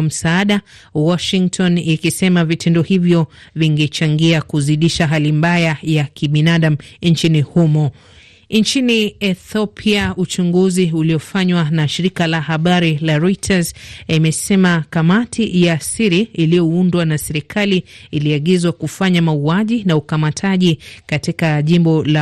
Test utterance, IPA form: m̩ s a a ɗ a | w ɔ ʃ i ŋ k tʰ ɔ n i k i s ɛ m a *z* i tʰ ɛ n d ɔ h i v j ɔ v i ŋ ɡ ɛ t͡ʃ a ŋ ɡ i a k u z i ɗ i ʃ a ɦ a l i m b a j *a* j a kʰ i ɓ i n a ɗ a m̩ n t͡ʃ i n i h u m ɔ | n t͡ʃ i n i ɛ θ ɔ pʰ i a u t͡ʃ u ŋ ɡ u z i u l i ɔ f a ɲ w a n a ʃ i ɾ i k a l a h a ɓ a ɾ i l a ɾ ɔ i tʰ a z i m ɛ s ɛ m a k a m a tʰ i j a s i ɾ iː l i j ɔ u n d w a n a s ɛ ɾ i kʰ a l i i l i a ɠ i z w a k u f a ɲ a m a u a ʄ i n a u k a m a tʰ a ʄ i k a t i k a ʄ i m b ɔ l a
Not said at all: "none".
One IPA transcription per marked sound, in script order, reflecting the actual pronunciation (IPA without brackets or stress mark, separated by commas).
v, a